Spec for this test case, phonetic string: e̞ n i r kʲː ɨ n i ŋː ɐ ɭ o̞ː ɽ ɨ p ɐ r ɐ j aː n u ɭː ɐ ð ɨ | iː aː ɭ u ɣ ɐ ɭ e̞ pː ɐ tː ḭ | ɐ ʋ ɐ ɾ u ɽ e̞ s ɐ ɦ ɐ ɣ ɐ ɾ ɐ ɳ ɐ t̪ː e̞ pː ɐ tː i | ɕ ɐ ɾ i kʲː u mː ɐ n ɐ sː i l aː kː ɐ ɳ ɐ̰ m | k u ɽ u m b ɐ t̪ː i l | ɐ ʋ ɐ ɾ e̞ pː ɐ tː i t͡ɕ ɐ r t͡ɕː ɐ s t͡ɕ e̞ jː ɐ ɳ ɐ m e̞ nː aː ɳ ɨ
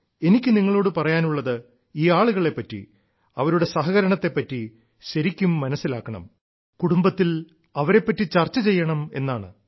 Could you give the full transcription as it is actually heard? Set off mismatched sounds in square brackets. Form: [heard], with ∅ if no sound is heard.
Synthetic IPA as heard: e̞ n i [∅] kʲː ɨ n i ŋː ɐ ɭ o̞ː ɽ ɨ p ɐ r ɐ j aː n u ɭː ɐ ð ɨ | iː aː ɭ u ɣ ɐ ɭ e̞ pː ɐ tː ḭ | ɐ ʋ ɐ ɾ u ɽ e̞ s ɐ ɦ ɐ ɣ ɐ ɾ ɐ ɳ ɐ t̪ː e̞ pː ɐ tː i | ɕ ɐ ɾ i kʲː u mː ɐ n ɐ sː i l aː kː ɐ ɳ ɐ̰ m | k u ɽ u m b ɐ t̪ː i l | ɐ ʋ ɐ ɾ e̞ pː ɐ tː i t͡ɕ ɐ r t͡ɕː ɐ [∅] t͡ɕ e̞ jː ɐ ɳ ɐ m e̞ nː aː ɳ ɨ